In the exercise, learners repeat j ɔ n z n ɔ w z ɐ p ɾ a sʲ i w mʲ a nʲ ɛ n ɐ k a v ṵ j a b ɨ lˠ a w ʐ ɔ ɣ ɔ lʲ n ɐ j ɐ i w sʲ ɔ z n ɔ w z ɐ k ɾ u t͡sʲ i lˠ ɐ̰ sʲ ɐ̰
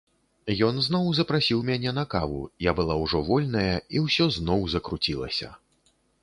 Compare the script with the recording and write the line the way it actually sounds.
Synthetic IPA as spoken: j ɔ n z n ɔ w z ɐ p ɾ a sʲ i w mʲ a nʲ ɛ n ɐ k a v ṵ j a b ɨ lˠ a w ʐ ɔ v ɔ lʲ n ɐ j ɐ i w sʲ ɔ z n ɔ w z ɐ k ɾ u t͡sʲ i lˠ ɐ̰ sʲ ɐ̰